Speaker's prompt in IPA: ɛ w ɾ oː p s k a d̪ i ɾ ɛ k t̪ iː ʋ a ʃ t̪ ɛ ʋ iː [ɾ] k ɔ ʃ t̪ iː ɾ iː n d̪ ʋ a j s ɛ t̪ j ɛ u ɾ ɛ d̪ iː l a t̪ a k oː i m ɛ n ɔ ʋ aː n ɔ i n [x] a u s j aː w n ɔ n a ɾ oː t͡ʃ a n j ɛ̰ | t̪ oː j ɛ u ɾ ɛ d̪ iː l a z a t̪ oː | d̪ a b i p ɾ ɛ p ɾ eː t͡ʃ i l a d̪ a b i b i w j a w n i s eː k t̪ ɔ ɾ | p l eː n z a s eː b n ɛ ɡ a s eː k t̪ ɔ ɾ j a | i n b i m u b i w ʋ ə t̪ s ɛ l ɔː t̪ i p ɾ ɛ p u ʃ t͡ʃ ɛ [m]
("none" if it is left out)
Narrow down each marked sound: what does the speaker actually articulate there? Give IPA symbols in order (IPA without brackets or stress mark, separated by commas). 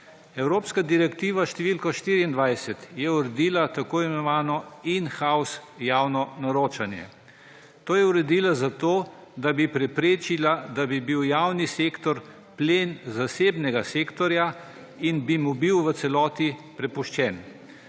l, x, n